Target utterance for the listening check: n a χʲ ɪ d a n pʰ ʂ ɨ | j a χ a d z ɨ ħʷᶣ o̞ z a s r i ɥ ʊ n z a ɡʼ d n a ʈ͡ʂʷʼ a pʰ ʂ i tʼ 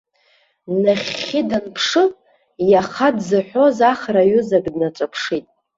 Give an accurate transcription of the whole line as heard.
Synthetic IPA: n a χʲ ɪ d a n pʰ ʂ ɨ | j a χ a d z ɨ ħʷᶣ o̞ z a χ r a ɥ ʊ z a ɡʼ d n a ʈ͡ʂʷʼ a pʰ ʂ i tʼ